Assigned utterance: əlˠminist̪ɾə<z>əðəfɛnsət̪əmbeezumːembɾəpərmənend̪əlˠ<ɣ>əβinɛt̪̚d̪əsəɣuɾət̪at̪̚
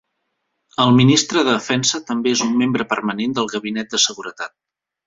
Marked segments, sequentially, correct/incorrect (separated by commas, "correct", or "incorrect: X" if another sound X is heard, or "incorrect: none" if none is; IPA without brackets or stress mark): incorrect: ð, correct